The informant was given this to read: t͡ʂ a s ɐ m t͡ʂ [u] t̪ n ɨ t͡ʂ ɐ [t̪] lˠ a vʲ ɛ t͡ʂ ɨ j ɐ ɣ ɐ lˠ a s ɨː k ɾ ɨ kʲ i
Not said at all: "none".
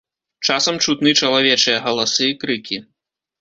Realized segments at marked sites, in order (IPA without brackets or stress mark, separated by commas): u, none